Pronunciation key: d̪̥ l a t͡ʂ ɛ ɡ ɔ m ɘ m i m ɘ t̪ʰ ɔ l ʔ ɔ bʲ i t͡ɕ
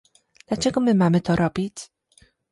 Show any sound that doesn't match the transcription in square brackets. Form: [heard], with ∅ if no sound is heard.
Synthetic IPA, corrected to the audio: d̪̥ l a t͡ʂ ɛ ɡ ɔ m ɘ m [a] m ɘ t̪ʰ ɔ [ɾ] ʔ ɔ bʲ i t͡ɕ